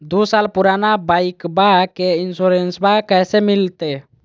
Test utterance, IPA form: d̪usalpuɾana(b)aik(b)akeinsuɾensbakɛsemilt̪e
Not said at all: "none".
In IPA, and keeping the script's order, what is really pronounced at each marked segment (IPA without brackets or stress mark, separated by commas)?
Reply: b, b